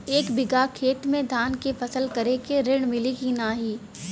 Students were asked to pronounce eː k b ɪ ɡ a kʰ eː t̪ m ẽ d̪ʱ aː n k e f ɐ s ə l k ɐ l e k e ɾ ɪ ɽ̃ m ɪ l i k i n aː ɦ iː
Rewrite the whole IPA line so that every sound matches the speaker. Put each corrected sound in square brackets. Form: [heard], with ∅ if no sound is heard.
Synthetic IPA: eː k b ɪ ɡ a kʰ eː t̪ m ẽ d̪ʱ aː n k e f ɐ s ə l k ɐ [ɾ] e k e ɾ ɪ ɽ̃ m ɪ l i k i n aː ɦ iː

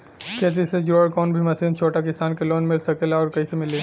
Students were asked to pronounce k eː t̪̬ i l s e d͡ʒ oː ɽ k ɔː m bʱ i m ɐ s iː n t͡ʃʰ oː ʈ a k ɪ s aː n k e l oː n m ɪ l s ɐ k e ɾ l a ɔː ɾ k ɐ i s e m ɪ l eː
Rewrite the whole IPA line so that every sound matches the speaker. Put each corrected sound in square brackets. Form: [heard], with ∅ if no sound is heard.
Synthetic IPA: k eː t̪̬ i [∅] s e d͡ʒ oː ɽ k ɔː [n] bʱ i m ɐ s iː n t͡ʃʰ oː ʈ a k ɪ s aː n k e l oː n m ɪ l s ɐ k e [∅] l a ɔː ɾ k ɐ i s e m ɪ l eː

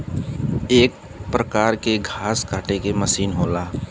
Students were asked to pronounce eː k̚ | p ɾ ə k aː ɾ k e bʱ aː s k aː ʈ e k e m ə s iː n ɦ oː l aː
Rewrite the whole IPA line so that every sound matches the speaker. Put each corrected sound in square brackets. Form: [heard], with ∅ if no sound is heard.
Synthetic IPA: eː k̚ | p ɾ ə k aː ɾ k e [ɡʱ] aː s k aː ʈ e k e m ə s iː n ɦ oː l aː

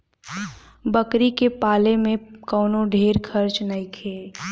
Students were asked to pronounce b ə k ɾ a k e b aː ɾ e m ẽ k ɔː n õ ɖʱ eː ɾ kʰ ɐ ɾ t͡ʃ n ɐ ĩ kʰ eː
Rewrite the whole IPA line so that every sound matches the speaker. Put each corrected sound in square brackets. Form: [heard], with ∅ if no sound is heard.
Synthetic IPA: b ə k ɾ [i] k e [p] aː [l] e m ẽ k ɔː n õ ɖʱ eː ɾ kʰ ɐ ɾ t͡ʃ n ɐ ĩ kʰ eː

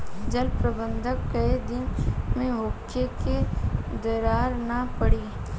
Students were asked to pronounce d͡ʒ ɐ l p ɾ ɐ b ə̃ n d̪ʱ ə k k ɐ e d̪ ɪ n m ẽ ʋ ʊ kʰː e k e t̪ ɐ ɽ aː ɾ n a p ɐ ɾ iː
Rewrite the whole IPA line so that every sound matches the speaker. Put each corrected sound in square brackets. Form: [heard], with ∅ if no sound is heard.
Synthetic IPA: d͡ʒ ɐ l p ɾ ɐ b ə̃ n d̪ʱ ə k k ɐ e d̪ ɪ n m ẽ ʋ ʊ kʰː e k e [d̪] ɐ [ɾ] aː ɾ n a p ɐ [ɽ] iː

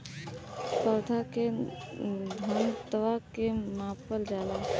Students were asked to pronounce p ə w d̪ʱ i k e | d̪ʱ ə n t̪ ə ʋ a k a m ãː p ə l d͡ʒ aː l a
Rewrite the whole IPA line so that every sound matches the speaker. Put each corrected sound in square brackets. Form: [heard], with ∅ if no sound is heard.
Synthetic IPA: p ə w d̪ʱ [a] k e | d̪ʱ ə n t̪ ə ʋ a k [e] m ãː p ə l d͡ʒ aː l a

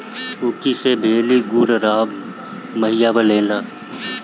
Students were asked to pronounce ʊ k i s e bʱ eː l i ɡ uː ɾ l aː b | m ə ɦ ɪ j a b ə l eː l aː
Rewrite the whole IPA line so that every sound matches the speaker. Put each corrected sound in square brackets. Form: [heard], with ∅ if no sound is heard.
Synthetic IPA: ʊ k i s e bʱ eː l i ɡ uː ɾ [ɾ] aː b | m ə ɦ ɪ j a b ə l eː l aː

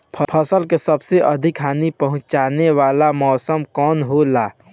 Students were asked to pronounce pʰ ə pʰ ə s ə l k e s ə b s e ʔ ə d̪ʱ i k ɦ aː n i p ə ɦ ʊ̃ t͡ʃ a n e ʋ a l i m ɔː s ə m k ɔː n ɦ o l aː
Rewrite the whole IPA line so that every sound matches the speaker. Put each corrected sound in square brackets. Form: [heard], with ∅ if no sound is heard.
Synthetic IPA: pʰ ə pʰ ə s ə l k e s ə b s e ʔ ə d̪ʱ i k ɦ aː n i p ə ɦ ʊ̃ t͡ʃ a n e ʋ a l [a] m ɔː s ə m k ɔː n ɦ o l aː

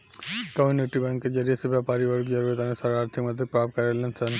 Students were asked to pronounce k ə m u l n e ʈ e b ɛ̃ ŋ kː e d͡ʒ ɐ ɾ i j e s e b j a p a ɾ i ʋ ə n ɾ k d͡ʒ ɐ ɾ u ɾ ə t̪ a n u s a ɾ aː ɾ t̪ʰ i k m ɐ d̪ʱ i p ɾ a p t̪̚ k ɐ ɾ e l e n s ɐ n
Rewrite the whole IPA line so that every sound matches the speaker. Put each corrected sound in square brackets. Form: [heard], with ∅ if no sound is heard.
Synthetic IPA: k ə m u [∅] n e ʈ [i] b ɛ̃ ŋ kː e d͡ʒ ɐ ɾ i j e s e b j a p a ɾ i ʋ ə [∅] ɾ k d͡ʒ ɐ ɾ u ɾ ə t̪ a n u s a ɾ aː ɾ t̪ʰ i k m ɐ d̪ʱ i p ɾ a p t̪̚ k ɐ ɾ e l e n s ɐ n

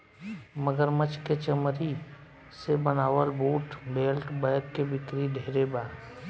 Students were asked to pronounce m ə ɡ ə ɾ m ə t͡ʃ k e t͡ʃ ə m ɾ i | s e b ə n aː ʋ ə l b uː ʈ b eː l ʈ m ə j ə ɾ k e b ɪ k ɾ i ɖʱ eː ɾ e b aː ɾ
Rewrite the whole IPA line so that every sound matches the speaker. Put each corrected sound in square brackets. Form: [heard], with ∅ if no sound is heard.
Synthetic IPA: m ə ɡ ə ɾ m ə t͡ʃ k e t͡ʃ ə m ɾ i | s e b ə n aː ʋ ə l b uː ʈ b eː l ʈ [b] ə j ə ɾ k e b ɪ k ɾ i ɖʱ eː ɾ e b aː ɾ

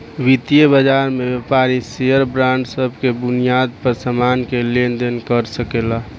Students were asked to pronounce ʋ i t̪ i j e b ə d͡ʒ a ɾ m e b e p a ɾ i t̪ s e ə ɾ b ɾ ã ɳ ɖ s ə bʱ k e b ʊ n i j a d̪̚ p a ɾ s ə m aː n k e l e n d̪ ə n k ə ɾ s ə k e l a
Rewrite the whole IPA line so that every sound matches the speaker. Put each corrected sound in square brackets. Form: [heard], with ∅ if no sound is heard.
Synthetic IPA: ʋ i t̪ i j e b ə d͡ʒ a ɾ m e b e p a ɾ i [∅] s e ə ɾ b ɾ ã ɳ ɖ s ə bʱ k e b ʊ n i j a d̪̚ p [ə] ɾ s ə m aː n k e l e n d̪ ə n k ə ɾ s ə k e l a

